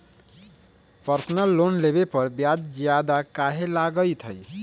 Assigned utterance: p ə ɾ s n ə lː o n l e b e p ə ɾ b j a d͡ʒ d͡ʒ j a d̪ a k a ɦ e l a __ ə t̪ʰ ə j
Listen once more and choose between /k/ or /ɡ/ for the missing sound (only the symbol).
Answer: ɡ